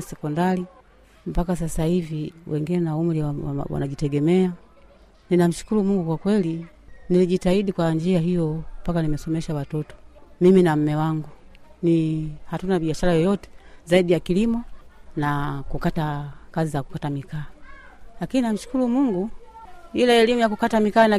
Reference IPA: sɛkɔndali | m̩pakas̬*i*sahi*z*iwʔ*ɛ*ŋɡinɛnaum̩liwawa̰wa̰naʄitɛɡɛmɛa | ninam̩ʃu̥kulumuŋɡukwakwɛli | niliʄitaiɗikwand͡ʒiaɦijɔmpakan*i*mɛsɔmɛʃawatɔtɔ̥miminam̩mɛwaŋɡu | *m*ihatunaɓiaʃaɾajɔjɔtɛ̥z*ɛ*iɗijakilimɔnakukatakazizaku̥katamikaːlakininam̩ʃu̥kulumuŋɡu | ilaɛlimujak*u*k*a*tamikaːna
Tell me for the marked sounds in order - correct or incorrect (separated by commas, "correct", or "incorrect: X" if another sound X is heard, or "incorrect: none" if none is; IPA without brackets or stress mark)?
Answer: incorrect: a, incorrect: v, correct, correct, incorrect: n, incorrect: a, correct, correct